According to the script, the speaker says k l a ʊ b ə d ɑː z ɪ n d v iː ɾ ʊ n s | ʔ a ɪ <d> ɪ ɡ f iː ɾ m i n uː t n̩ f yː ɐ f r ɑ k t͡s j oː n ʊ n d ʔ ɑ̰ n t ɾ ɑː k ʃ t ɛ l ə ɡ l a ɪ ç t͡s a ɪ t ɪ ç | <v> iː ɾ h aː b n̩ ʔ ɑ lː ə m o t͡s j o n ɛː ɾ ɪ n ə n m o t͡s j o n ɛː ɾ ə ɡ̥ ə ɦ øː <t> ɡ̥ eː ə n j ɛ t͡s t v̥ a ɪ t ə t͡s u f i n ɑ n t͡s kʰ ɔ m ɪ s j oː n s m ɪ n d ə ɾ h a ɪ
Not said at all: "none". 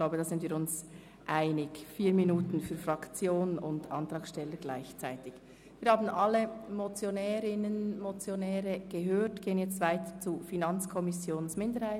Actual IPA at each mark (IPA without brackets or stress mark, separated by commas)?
n, v, t